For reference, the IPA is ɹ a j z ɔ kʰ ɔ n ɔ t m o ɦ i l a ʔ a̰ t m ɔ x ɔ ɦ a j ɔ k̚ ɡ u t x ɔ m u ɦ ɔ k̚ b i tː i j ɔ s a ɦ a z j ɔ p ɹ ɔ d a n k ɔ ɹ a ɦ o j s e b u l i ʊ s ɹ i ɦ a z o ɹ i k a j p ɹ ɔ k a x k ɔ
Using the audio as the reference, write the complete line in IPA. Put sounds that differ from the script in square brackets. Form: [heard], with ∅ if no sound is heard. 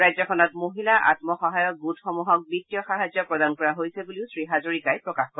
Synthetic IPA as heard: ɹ a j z ɔ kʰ ɔ n ɔ t m o ɦ i l a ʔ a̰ t m ɔ x ɔ ɦ a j ɔ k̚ ɡ u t x ɔ m u ɦ ɔ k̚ b i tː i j ɔ [x] a ɦ a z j ɔ p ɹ ɔ d a n k ɔ ɹ a ɦ o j s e b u l i ʊ s ɹ i ɦ a z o ɹ i k a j p ɹ ɔ k a x k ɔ